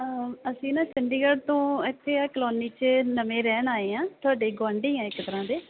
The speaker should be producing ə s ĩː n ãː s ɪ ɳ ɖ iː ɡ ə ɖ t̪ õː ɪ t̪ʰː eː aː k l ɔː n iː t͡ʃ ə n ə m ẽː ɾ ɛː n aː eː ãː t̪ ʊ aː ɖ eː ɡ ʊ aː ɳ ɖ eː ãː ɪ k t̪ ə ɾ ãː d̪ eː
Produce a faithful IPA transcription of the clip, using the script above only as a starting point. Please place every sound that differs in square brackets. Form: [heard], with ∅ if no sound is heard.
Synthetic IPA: ə s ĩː n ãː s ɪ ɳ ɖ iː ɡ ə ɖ t̪ õː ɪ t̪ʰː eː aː k l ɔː n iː t͡ʃ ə n ə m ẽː ɾ ɛː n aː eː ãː t̪ ʊ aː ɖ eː ɡ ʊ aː ɳ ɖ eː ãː ɪ k t̪ ə ɾ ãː d̪ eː